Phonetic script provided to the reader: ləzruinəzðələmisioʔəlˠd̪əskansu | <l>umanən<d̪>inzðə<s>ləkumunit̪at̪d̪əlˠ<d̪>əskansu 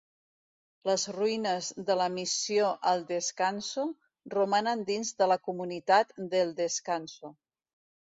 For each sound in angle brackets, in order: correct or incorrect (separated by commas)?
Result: incorrect, correct, incorrect, correct